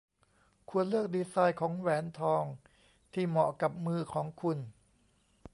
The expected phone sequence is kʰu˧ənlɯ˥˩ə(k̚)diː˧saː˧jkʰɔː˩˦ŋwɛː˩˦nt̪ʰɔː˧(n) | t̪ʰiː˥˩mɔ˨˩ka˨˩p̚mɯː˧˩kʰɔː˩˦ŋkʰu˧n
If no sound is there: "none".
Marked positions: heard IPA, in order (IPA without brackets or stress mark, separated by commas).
k̚, ŋ